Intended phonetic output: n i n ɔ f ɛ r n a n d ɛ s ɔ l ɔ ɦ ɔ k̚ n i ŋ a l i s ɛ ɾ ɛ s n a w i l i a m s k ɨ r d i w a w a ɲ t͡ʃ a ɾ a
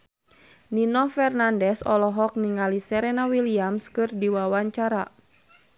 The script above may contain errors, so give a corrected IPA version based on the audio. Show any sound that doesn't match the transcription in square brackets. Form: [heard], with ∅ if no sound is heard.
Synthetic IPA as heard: n i n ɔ f ɛ r n a n d ɛ s ɔ l ɔ ɦ ɔ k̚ n i ŋ a l i s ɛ ɾ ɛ [∅] n a w i l i a m s k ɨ r d i w a w a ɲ t͡ʃ a ɾ a